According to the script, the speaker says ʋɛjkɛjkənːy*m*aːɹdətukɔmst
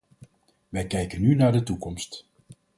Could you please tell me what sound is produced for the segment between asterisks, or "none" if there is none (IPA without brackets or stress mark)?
n